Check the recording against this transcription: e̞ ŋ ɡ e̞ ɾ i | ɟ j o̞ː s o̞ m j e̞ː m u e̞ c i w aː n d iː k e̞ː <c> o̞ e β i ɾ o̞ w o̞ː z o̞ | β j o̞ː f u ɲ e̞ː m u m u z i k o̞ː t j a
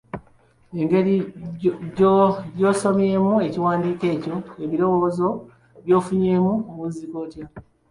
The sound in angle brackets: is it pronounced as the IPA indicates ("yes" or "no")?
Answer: yes